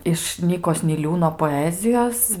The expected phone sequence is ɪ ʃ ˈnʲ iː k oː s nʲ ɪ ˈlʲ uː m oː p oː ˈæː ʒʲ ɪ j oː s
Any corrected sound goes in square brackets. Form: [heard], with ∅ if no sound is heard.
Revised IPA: ɪ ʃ ˈnʲ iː k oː s nʲ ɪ ˈlʲ uː [n] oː p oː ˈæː [zʲ] ɪ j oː s